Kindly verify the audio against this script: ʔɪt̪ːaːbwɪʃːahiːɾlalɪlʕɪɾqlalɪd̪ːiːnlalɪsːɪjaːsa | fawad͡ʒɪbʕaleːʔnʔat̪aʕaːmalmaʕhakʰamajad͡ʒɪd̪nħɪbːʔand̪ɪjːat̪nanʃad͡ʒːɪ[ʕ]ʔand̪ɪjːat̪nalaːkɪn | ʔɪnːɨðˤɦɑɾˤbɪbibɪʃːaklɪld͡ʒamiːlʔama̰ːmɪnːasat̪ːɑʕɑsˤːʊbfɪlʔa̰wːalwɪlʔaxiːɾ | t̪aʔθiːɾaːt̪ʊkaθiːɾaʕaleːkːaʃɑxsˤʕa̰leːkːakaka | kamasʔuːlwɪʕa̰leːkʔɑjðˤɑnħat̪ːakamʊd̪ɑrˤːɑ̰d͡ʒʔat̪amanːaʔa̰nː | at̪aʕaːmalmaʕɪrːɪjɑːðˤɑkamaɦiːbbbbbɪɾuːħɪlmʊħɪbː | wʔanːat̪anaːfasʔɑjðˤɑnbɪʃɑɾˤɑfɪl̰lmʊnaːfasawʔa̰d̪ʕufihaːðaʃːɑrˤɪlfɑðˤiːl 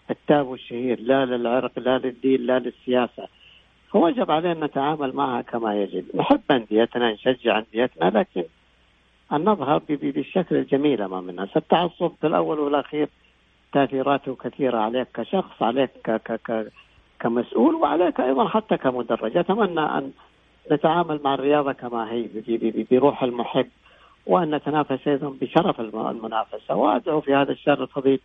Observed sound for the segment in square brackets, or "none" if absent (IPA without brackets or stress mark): ʕ